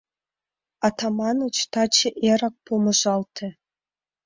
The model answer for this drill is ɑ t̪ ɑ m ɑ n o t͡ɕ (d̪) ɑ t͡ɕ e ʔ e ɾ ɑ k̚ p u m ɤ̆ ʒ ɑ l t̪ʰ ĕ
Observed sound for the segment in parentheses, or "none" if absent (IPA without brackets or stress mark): t̪